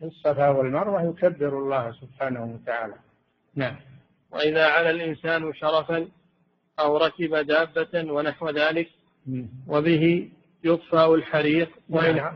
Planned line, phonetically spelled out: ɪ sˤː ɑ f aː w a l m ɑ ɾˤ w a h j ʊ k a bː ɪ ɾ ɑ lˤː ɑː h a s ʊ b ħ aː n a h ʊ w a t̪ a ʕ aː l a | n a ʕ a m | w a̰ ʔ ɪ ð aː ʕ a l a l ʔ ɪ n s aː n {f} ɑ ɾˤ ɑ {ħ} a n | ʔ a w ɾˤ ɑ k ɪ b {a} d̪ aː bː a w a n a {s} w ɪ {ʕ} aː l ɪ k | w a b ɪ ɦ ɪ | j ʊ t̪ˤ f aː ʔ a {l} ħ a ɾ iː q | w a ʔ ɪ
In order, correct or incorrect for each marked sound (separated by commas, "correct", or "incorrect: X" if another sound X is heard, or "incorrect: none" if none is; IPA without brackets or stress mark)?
incorrect: ʃ, incorrect: f, correct, incorrect: ħ, incorrect: ð, correct